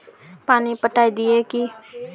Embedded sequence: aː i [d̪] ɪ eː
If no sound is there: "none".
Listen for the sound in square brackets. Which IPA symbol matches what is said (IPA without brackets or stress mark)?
d̪